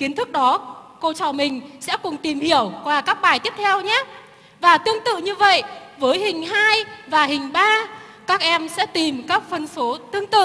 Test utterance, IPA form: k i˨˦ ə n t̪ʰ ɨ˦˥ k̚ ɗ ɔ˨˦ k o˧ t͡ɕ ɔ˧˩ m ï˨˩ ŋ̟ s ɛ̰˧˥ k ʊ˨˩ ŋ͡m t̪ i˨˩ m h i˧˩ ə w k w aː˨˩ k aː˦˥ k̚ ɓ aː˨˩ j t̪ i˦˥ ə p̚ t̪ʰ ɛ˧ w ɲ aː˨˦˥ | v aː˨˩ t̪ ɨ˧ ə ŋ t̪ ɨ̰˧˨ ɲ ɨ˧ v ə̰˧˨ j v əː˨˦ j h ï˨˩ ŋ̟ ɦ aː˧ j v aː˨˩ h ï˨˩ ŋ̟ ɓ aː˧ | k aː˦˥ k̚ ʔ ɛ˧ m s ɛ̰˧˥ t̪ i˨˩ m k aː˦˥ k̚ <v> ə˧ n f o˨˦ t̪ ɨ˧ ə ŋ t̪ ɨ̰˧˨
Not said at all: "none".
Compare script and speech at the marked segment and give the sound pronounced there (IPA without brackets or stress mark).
f